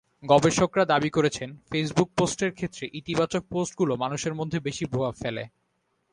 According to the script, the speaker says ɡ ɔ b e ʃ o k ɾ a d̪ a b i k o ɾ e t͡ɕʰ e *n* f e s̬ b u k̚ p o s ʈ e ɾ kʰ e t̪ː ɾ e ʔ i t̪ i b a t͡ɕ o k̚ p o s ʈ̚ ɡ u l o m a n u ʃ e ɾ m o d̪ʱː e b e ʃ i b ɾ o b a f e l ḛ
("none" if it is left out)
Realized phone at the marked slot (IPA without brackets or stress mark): n